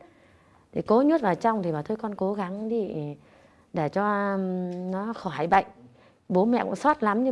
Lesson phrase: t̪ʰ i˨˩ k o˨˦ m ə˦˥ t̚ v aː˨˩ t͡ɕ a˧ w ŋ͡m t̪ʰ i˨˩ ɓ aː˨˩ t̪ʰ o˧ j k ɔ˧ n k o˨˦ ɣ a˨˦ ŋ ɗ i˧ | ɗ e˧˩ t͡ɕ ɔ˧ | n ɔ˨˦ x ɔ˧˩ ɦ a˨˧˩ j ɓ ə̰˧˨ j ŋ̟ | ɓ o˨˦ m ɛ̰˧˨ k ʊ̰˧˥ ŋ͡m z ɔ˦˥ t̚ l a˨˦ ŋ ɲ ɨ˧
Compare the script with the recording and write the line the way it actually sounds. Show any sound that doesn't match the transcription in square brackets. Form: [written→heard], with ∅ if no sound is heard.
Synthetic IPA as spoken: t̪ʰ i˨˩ k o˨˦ [m→ɲ] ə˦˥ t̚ v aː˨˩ t͡ɕ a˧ w ŋ͡m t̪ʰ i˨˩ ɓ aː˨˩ t̪ʰ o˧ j k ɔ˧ n k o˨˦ ɣ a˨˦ ŋ ɗ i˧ | ɗ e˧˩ t͡ɕ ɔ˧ | n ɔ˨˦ x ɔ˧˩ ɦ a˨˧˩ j ɓ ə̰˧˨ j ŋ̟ | ɓ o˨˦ m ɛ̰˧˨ k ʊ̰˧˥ ŋ͡m [z→s] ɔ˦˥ t̚ l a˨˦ [ŋ→m] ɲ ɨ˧

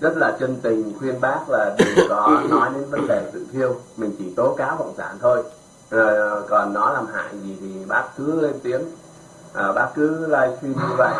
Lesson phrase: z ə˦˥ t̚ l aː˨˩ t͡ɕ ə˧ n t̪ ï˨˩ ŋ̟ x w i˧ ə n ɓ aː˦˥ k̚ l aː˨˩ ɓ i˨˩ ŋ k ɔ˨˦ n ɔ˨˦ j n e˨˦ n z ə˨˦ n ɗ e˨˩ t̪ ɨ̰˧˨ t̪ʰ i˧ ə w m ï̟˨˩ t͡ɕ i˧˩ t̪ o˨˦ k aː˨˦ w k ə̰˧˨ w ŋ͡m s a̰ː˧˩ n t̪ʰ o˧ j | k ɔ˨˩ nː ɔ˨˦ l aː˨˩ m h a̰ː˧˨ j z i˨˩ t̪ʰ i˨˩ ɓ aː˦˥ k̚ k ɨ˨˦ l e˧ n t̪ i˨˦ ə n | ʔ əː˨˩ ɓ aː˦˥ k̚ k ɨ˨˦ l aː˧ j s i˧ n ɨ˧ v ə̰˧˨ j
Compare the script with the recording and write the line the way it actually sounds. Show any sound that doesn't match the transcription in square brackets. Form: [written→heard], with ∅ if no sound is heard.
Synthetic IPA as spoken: z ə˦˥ t̚ l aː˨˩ t͡ɕ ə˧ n t̪ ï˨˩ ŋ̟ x w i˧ ə n ɓ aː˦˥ k̚ l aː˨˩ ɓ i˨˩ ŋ k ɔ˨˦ n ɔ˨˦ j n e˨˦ n [z→v] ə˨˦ n ɗ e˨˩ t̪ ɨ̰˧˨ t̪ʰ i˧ ə w m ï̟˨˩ t͡ɕ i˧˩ t̪ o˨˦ k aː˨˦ w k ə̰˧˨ w ŋ͡m s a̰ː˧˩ n t̪ʰ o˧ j | k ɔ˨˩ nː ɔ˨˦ l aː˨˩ m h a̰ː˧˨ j z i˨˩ t̪ʰ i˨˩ ɓ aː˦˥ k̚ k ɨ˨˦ l e˧ n t̪ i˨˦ ə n | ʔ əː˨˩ ɓ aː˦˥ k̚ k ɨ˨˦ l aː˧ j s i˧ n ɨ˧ v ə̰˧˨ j

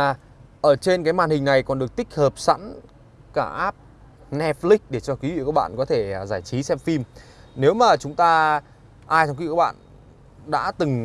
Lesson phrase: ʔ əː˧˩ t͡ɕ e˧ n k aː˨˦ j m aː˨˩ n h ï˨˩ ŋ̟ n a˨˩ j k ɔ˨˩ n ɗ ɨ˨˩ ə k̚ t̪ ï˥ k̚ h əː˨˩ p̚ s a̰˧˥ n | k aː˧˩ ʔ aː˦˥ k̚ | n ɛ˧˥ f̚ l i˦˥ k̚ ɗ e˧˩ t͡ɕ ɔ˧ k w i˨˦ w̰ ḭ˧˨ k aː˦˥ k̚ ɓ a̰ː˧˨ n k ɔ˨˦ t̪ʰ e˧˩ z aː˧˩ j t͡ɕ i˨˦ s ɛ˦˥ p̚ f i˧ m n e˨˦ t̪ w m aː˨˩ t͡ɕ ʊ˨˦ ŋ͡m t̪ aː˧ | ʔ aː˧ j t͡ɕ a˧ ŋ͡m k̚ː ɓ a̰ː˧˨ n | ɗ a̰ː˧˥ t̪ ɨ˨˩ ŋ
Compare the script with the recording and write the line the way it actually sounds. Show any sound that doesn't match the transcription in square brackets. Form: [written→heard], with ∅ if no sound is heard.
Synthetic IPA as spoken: ʔ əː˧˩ t͡ɕ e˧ n k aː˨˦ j m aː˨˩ n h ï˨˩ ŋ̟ n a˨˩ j k ɔ˨˩ n ɗ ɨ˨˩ ə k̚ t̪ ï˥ k̚ h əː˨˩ p̚ s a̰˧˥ n | k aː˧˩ ʔ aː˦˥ [k̚→p̚] | n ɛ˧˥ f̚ l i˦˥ k̚ ɗ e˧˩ t͡ɕ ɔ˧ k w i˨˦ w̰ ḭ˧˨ k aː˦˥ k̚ ɓ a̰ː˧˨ n k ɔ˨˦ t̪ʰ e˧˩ z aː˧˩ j t͡ɕ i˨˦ s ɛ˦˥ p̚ f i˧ m n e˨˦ [t̪→∅] w m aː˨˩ t͡ɕ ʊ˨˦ ŋ͡m t̪ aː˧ | ʔ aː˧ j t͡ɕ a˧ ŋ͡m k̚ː ɓ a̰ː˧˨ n | ɗ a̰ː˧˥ t̪ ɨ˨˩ ŋ

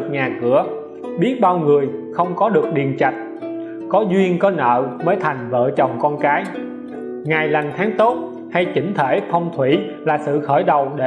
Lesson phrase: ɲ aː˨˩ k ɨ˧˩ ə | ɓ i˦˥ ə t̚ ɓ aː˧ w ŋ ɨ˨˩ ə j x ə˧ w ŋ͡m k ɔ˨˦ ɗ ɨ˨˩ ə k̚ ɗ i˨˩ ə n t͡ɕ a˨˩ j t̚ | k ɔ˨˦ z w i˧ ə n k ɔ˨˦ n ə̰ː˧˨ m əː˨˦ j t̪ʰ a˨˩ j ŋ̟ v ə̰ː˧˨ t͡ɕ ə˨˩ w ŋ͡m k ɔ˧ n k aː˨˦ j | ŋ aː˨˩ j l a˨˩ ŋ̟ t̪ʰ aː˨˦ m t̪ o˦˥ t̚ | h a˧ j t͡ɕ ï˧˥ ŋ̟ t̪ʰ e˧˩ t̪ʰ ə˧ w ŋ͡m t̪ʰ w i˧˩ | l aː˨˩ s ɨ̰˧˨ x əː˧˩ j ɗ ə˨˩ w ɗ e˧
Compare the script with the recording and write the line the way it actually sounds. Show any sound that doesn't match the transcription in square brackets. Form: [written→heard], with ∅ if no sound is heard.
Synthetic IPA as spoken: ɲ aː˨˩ k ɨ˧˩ ə | ɓ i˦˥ ə t̚ ɓ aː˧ w ŋ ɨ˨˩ ə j x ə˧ w ŋ͡m k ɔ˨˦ ɗ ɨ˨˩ ə k̚ ɗ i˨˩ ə n t͡ɕ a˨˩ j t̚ | k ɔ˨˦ z w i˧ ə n k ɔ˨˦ n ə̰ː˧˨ m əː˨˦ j t̪ʰ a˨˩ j ŋ̟ v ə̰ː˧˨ t͡ɕ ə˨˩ w ŋ͡m k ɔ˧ n k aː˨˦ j | ŋ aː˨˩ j l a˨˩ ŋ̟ t̪ʰ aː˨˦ [m→ŋ] t̪ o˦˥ t̚ | h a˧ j t͡ɕ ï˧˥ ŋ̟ t̪ʰ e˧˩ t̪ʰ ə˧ w ŋ͡m t̪ʰ w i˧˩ | l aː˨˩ s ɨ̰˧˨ x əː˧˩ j ɗ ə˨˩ w ɗ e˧

